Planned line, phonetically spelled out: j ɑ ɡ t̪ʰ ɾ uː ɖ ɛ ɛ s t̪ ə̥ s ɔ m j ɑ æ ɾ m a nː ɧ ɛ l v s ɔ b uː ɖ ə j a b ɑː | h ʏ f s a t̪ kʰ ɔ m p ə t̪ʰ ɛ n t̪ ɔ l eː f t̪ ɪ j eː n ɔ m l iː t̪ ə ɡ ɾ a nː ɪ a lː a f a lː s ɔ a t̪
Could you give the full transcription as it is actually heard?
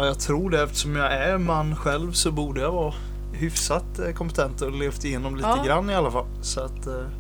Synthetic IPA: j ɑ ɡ t̪ʰ ɾ uː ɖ ɛ ɛ f t̪ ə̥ ʂ ɔ m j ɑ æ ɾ m a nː ɧ ɛ l v s ɔ b uː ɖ ə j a v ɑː | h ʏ f s a t̪ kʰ ɔ m p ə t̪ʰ ɛ n t̪ ɔ l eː f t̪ ɪ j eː n ɔ m l iː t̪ ə ɡ ɾ a nː ɪ a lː a f a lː s ɔ a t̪